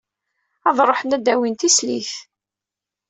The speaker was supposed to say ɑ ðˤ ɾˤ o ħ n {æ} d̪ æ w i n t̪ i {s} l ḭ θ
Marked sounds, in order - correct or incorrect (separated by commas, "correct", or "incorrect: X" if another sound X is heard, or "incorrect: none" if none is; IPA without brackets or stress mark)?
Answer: correct, correct